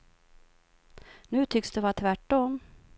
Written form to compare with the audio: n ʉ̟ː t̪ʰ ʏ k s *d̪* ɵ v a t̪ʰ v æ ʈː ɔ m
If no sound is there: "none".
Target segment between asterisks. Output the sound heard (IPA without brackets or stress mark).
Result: d̪